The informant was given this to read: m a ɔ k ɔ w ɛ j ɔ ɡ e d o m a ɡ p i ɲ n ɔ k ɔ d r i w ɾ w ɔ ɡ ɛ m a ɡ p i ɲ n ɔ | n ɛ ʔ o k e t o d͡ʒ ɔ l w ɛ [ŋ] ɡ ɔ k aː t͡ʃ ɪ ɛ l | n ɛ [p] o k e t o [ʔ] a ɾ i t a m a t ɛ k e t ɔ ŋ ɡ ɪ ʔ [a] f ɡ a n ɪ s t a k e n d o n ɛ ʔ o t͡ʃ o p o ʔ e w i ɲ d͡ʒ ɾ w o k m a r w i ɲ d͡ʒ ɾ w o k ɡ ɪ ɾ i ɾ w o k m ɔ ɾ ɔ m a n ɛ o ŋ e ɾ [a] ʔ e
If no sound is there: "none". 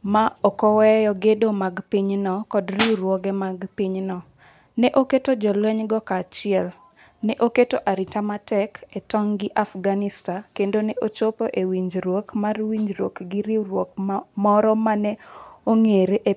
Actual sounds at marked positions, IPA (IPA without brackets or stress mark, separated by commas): ɲ, ʔ, ʔ, a, e